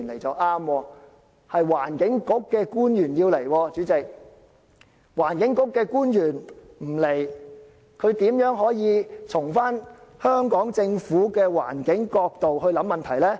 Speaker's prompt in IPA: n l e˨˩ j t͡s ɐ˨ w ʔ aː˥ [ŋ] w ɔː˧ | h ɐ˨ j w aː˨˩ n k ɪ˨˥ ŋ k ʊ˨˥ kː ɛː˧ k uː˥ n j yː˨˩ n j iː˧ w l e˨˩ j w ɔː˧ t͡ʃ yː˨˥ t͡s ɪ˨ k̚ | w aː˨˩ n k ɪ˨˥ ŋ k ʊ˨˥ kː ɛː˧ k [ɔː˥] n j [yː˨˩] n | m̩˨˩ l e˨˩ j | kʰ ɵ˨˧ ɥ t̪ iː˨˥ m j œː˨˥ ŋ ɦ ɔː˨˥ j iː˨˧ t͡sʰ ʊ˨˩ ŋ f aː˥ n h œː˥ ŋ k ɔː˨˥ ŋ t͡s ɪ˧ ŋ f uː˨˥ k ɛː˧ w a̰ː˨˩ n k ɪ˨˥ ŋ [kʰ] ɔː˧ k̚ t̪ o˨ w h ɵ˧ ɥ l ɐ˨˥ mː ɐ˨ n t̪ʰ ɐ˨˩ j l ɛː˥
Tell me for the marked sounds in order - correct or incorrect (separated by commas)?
incorrect, incorrect, correct, incorrect